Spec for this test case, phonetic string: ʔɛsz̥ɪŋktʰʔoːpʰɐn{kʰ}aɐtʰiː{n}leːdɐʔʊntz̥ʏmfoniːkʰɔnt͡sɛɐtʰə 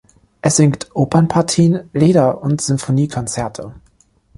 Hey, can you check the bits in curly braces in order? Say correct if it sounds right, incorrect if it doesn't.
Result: incorrect: pʰ, correct

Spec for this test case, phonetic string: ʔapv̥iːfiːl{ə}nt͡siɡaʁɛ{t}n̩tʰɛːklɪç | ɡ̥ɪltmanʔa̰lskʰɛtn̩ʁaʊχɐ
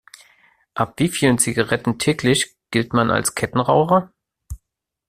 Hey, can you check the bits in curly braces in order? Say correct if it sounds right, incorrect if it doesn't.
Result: correct, correct

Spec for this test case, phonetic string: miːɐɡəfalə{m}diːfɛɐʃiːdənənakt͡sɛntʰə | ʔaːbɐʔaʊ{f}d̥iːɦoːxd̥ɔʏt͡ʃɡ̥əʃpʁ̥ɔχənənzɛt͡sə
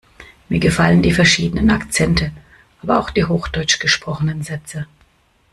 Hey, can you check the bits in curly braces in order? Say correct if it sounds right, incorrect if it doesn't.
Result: incorrect: n, incorrect: x

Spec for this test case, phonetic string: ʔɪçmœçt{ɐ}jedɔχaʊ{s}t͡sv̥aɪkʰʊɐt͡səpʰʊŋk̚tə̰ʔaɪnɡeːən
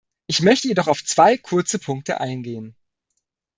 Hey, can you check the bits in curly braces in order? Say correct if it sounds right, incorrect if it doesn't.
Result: incorrect: ə, incorrect: f

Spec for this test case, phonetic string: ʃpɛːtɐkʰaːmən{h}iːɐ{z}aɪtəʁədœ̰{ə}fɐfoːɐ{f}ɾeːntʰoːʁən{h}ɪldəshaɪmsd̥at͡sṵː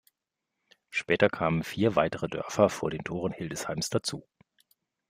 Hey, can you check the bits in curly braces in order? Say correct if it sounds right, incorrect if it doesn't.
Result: incorrect: f, incorrect: v, incorrect: ɐ, incorrect: none, correct

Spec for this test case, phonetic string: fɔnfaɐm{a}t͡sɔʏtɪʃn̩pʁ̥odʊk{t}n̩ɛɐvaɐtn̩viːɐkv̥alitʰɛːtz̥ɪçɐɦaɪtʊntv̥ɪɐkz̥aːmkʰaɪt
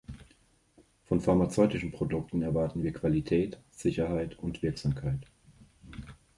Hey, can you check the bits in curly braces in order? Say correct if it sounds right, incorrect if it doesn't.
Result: correct, correct

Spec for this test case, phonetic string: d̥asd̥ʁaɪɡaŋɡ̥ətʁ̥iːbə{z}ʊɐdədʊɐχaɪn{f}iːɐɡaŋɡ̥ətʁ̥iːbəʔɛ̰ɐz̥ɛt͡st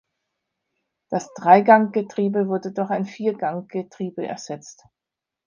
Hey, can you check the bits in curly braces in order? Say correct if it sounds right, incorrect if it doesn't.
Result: incorrect: v, correct

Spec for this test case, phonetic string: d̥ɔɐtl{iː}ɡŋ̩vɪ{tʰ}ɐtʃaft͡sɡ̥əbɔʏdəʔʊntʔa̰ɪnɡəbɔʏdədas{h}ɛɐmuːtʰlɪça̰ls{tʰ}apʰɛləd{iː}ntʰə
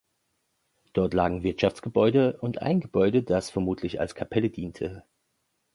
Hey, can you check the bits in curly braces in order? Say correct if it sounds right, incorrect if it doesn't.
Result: incorrect: aː, incorrect: none, incorrect: f, incorrect: kʰ, correct

